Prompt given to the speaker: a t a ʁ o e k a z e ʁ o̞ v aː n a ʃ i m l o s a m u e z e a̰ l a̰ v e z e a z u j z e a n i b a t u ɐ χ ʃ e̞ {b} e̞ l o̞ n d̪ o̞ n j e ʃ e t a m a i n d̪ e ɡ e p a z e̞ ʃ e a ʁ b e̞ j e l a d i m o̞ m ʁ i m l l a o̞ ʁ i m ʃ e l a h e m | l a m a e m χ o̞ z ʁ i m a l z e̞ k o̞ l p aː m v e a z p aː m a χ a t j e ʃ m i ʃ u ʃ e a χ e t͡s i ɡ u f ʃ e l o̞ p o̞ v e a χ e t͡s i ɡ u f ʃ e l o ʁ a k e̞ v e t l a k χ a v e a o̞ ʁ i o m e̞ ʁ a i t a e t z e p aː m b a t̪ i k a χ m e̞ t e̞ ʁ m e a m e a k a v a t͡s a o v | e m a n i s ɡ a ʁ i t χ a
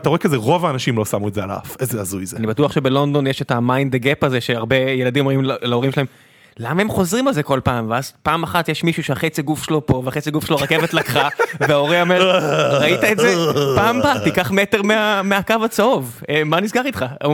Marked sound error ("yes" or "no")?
no